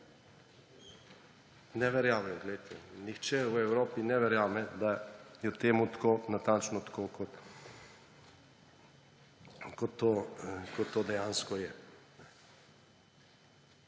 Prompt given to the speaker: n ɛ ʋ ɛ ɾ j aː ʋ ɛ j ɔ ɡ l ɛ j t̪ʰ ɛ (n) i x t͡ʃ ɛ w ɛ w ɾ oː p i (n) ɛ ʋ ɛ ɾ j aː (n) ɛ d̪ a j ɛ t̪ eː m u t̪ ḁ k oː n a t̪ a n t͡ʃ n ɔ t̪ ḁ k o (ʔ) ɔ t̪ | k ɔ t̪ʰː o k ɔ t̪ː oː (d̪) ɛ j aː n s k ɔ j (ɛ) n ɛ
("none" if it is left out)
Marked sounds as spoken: n, n, m, k, d̪, ɛ

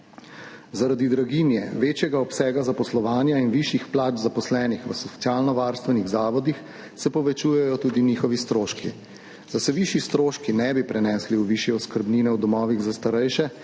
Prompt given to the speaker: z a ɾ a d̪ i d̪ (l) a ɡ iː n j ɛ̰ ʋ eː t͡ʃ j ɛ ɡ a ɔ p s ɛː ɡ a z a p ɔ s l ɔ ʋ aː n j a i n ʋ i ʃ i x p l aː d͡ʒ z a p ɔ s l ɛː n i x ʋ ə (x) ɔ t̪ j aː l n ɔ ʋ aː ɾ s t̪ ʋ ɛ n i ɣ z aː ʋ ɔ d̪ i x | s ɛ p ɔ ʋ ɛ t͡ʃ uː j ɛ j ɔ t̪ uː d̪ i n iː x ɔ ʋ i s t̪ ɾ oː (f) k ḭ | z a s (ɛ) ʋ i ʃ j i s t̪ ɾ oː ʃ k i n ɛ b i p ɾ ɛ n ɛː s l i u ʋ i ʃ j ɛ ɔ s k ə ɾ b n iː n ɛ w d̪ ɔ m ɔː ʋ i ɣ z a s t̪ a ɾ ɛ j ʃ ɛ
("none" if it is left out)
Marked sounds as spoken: ɾ, s, ʃ, ɛ

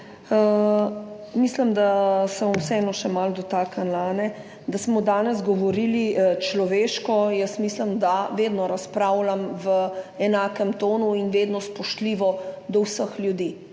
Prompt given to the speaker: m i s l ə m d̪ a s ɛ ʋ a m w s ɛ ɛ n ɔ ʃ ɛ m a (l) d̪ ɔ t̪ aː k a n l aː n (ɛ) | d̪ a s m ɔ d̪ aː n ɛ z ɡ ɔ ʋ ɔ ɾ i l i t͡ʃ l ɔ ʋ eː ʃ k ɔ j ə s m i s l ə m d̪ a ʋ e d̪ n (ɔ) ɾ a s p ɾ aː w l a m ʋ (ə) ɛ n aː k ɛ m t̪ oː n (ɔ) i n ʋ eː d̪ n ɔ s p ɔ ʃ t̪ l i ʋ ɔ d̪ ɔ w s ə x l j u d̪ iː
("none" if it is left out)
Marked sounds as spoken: l, ɛ, ɔ, ə, u

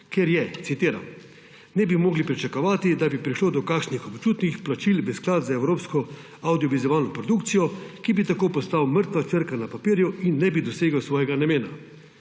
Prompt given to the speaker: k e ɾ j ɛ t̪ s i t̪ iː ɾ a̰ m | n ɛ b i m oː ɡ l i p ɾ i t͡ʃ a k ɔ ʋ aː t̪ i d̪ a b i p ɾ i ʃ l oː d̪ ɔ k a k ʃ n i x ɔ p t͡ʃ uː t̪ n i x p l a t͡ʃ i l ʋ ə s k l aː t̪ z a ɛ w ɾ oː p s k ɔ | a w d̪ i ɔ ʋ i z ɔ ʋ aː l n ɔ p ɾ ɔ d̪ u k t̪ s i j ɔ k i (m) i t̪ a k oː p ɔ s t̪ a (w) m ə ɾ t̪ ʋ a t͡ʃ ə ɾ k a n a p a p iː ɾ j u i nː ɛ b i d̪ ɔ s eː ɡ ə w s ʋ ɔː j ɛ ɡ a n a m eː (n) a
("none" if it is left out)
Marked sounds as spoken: b, w, n

